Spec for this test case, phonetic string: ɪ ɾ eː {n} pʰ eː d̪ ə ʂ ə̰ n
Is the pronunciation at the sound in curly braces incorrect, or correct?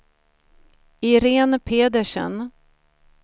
correct